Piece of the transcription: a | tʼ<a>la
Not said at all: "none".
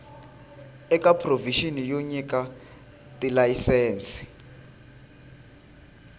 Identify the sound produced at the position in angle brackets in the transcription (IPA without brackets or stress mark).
i